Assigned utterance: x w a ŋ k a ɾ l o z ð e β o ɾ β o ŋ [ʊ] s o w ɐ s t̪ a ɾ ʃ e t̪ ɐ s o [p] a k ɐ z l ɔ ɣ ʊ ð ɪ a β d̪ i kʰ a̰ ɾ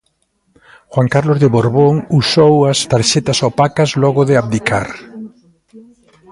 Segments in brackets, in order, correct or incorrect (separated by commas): incorrect, correct